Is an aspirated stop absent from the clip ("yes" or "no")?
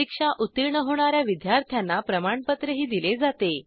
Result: no